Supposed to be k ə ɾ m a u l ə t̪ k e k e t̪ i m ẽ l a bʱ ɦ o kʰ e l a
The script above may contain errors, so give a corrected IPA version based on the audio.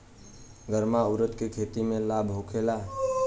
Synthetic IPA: ɡ ə ɾ m a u ɾ ə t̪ k e kʰ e t̪ i m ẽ l a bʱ ɦ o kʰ e l a